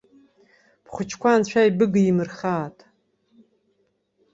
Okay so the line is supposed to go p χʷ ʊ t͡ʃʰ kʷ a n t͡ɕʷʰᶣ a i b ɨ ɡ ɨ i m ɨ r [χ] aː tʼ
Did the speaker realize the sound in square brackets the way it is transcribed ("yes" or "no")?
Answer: yes